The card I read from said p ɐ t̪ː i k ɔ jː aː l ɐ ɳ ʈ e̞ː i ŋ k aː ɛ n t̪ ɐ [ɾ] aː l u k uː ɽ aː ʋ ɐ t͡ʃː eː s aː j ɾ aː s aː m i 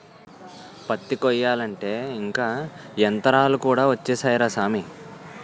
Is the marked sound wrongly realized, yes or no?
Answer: no